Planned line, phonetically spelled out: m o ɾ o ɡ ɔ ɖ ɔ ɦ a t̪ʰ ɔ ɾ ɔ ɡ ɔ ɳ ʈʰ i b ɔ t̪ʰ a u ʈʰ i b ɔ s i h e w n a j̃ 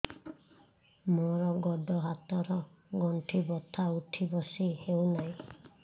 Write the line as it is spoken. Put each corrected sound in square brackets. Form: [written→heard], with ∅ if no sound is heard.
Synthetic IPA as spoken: m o ɾ [o→ɔ] ɡ ɔ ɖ ɔ ɦ a [t̪ʰ→t̪] ɔ ɾ ɔ ɡ ɔ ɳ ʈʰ i b ɔ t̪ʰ a u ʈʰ i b ɔ s i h e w n a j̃